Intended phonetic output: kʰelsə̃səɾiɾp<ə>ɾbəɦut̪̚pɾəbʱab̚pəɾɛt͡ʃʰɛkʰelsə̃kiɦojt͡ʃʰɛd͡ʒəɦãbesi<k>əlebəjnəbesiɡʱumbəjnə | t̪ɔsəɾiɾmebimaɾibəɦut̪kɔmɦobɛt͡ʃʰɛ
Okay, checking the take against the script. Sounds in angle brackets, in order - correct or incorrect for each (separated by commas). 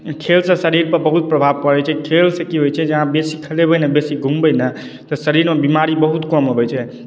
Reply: correct, incorrect